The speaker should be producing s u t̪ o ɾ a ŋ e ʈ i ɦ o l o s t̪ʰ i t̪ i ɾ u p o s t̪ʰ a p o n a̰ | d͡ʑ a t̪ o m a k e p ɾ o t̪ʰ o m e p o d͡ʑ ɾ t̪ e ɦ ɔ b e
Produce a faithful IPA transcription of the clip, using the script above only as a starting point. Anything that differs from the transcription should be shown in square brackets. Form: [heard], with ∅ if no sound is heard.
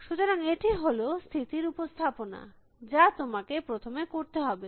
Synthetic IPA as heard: [ʃ] u t̪ o ɾ a ŋ e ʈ i ɦ o l o s t̪ʰ i t̪ i ɾ u p o s t̪ʰ a p o n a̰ | d͡ʑ a t̪ o m a k e p ɾ o t̪ʰ o m e [k] o [∅] ɾ t̪ e ɦ ɔ b e